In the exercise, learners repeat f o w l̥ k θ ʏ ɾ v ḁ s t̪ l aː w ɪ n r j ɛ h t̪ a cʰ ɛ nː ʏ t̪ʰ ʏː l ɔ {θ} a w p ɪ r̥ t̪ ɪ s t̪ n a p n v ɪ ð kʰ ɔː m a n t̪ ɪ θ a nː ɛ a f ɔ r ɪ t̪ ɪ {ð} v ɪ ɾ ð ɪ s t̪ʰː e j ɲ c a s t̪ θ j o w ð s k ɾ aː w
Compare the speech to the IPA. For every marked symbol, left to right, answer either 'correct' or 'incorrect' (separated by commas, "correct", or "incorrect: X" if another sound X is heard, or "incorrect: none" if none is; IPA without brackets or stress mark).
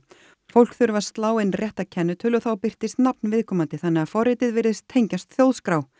correct, correct